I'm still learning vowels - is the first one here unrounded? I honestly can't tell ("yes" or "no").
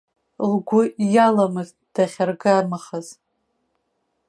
no